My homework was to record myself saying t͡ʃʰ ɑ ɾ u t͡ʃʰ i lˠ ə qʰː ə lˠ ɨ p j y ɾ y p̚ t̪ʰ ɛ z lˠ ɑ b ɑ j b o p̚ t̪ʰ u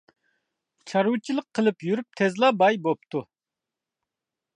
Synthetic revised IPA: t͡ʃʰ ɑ ɾ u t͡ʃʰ i lˠ ə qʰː ə lˠ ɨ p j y ɾ y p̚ t̪ʰ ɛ z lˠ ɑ b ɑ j b o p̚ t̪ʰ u